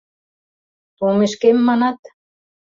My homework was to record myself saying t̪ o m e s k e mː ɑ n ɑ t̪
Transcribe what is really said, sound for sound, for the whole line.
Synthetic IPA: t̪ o m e ʃ k e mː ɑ n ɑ t̪